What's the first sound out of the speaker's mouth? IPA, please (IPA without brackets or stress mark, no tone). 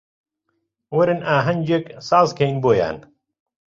w